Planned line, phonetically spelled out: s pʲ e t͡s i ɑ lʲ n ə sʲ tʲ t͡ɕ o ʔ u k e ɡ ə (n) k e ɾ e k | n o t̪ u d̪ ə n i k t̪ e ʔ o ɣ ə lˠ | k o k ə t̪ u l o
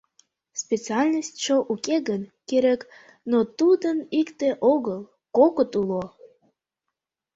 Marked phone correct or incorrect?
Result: correct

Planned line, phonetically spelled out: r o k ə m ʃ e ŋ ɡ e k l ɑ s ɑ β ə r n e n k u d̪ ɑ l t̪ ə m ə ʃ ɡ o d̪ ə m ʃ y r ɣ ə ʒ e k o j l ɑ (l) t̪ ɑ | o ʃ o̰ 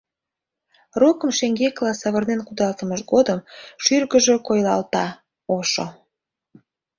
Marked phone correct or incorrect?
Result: correct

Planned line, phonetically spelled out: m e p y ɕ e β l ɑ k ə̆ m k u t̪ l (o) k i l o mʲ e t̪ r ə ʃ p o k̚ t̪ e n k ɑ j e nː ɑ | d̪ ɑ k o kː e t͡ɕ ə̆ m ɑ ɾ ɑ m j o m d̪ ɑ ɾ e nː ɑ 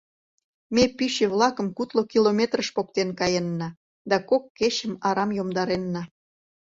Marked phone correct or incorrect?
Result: correct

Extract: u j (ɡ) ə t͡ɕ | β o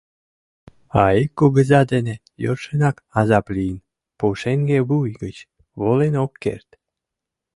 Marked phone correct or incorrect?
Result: correct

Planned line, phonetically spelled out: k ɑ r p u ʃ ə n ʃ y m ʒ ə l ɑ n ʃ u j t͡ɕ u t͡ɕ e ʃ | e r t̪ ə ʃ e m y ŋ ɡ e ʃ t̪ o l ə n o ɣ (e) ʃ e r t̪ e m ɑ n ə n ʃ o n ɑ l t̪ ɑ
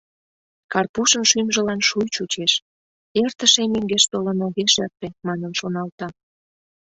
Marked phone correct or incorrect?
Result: correct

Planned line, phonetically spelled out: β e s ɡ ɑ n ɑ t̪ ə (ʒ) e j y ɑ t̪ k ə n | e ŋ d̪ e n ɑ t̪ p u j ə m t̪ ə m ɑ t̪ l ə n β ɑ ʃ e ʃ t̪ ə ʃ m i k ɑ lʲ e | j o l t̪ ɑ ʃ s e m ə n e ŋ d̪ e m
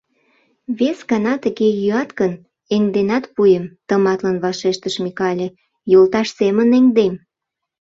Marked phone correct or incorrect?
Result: incorrect: ɣ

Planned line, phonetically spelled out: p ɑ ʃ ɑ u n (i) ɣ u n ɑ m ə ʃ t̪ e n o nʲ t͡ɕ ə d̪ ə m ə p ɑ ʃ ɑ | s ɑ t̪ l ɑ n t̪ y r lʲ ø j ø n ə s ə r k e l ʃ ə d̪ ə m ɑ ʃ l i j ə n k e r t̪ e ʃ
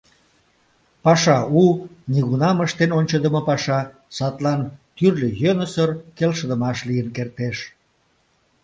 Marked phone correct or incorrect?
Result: correct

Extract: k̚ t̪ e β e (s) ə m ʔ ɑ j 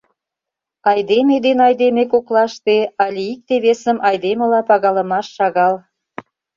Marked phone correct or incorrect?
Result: correct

